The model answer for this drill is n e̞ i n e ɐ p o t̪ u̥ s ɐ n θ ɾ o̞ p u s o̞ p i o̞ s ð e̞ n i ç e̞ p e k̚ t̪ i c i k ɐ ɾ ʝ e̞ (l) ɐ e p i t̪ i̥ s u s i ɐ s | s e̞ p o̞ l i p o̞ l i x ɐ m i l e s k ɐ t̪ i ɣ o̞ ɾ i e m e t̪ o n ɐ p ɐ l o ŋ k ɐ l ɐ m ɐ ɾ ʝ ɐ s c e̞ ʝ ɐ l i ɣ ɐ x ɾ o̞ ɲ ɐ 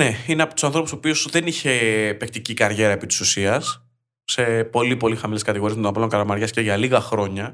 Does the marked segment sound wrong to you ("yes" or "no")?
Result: yes